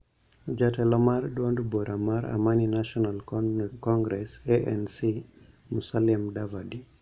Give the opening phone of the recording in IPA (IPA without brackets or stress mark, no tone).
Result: d͡ʒ